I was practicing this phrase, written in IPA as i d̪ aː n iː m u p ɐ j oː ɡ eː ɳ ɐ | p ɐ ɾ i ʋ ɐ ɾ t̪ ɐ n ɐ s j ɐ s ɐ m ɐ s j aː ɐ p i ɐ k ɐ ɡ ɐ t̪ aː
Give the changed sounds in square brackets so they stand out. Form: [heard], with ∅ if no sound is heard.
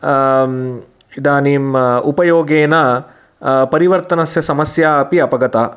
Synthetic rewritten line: i d̪ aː n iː m u p ɐ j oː ɡ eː [n] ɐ | p ɐ ɾ i ʋ ɐ ɾ t̪ ɐ n ɐ s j ɐ s ɐ m ɐ s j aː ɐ p i ɐ [p] ɐ ɡ ɐ t̪ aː